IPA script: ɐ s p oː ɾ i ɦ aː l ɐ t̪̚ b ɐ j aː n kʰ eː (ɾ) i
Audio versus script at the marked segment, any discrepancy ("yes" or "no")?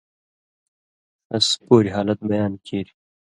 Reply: no